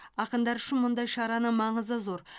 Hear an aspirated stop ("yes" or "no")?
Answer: no